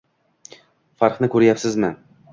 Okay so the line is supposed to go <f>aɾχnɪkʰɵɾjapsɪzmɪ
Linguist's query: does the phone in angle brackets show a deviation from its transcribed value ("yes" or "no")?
no